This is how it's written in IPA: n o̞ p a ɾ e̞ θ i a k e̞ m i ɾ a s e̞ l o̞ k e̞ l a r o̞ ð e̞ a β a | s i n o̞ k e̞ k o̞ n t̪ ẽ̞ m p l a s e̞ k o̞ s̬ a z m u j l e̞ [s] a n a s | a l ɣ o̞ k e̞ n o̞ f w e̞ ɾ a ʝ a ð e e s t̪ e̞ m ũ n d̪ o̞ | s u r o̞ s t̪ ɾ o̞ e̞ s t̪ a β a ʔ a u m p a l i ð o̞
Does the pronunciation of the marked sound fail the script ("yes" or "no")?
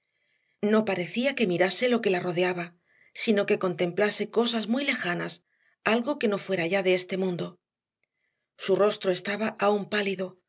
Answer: yes